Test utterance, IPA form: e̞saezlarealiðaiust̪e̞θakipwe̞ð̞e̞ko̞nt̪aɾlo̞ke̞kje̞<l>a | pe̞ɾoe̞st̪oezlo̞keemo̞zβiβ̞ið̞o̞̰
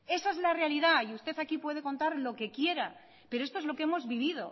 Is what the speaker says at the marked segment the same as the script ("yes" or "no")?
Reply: no